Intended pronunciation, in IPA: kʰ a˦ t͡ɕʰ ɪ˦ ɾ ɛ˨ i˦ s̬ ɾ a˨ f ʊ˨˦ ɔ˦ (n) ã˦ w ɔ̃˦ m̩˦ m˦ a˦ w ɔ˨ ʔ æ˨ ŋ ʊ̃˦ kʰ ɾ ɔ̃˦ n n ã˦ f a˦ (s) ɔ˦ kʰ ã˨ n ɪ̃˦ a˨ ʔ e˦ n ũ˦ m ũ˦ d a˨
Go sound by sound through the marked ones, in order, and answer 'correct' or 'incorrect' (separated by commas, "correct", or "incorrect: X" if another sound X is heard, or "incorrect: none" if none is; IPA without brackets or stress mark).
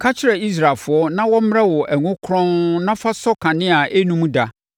correct, correct